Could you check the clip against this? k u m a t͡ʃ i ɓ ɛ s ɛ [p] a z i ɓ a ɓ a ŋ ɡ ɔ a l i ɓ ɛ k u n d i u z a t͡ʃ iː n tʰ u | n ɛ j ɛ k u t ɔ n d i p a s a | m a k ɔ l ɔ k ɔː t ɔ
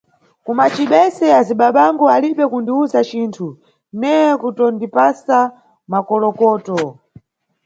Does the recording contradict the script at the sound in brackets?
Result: yes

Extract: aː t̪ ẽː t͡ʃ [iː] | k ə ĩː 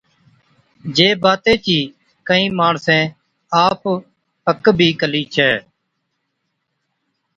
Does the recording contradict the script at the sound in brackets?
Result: no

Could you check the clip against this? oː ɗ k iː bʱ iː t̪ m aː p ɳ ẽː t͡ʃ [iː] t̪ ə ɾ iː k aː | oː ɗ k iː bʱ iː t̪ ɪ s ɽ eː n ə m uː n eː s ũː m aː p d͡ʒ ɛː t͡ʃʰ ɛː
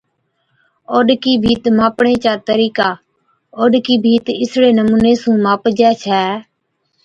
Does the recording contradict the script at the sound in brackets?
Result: yes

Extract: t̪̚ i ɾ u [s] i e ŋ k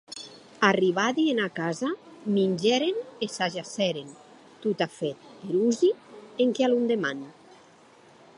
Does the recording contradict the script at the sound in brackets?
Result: yes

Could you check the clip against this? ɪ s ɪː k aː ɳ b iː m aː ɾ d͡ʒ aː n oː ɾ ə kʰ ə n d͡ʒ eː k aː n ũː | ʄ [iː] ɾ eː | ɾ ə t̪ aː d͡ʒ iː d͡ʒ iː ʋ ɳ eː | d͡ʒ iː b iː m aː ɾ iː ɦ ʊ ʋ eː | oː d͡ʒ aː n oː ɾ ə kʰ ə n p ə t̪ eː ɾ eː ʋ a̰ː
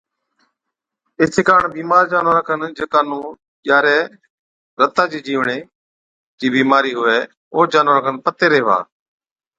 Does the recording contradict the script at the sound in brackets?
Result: yes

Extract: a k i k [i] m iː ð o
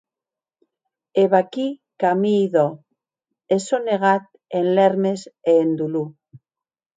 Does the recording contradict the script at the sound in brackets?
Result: yes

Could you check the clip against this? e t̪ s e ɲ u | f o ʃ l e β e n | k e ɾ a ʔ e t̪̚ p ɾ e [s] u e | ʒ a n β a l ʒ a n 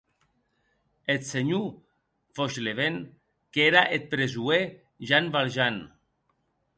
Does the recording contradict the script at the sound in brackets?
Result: yes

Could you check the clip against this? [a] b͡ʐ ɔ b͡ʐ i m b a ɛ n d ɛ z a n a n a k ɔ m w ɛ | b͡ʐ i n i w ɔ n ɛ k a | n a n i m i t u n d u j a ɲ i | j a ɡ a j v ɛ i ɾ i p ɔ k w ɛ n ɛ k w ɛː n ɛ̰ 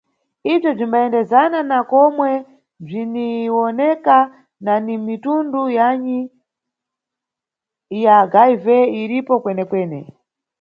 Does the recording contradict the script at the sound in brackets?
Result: yes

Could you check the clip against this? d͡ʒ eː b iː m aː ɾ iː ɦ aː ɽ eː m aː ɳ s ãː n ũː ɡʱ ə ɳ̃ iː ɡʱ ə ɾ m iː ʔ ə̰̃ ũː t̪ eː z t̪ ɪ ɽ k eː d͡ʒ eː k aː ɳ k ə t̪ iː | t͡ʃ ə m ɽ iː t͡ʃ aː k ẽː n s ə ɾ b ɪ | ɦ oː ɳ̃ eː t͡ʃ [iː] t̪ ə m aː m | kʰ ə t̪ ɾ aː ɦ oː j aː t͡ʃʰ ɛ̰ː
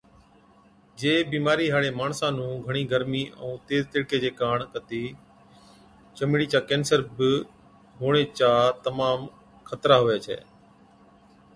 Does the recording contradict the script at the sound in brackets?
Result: yes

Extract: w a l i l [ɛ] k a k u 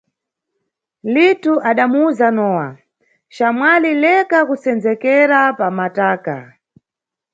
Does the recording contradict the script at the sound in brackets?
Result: no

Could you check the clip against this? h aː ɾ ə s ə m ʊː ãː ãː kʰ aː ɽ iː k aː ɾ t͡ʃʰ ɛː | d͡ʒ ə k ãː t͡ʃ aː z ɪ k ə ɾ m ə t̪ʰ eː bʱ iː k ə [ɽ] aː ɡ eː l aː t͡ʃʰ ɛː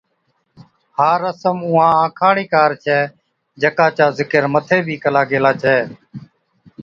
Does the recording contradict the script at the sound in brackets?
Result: yes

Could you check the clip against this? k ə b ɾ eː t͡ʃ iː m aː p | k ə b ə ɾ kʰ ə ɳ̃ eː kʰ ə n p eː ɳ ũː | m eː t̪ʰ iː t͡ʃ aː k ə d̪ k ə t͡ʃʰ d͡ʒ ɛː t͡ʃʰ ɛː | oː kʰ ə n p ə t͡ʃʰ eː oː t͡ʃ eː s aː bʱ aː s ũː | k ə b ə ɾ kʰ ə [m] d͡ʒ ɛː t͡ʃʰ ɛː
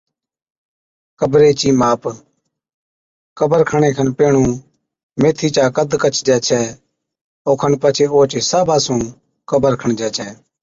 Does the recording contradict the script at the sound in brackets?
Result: yes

